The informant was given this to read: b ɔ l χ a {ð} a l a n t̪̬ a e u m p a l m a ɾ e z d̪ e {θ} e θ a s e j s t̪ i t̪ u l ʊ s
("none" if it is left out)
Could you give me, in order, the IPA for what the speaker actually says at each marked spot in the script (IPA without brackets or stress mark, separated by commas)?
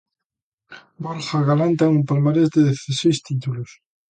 ɣ, ð